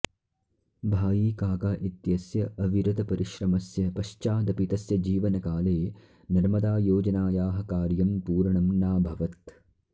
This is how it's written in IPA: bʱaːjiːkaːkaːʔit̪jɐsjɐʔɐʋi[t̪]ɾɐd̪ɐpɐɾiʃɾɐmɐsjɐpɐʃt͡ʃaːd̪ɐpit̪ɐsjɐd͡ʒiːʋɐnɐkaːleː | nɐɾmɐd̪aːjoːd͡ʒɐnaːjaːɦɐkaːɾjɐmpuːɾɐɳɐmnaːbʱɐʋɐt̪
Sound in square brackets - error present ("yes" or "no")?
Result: yes